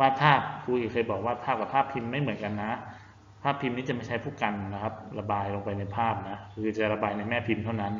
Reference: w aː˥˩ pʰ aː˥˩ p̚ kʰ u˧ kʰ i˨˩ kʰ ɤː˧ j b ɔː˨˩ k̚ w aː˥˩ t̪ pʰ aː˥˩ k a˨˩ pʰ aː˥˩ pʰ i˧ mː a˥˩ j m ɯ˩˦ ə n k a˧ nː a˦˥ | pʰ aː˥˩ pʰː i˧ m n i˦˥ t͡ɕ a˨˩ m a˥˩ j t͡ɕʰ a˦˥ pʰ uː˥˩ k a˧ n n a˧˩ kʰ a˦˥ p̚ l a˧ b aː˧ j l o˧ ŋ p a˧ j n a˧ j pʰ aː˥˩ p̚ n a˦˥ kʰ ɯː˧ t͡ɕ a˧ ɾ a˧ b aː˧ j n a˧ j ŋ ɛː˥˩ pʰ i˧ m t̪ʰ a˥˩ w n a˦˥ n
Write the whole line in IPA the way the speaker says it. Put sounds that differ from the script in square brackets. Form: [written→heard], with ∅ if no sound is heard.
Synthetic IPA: w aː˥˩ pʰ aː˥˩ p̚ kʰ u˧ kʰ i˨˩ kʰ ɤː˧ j b ɔː˨˩ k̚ w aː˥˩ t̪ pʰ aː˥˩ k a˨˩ pʰ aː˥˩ pʰ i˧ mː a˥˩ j m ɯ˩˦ ə n k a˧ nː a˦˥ | pʰ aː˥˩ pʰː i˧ m n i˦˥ t͡ɕ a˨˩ m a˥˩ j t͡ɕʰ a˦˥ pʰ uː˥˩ k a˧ n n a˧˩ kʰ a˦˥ p̚ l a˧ b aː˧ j l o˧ ŋ p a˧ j n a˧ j pʰ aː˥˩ p̚ n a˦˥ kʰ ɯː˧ t͡ɕ [a˧→a˨˩] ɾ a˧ b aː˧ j n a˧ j [ŋ→m] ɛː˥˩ pʰ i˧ m t̪ʰ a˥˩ w n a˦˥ n